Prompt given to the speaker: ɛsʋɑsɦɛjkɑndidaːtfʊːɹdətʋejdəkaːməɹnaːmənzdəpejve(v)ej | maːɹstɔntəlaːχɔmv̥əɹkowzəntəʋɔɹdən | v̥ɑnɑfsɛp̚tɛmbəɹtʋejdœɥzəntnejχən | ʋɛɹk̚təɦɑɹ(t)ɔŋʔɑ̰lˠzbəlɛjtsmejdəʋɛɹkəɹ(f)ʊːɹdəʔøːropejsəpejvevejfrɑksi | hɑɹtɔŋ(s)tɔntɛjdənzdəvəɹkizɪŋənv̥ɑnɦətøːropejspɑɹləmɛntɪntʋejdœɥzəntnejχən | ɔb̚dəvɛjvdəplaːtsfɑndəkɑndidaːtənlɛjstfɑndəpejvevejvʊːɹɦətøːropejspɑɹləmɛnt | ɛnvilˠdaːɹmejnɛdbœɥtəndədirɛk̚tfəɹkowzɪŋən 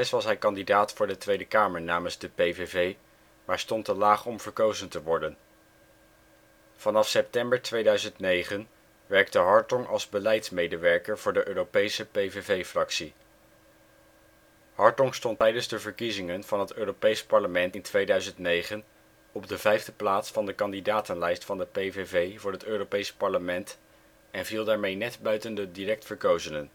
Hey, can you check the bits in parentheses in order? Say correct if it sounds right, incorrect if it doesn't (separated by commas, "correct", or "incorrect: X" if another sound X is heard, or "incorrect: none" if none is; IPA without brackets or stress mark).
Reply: correct, correct, incorrect: v, correct